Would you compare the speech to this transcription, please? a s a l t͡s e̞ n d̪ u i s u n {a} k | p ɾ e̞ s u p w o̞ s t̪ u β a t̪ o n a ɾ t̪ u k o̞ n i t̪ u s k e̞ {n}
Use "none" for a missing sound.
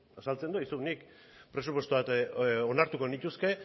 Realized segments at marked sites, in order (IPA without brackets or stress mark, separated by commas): i, none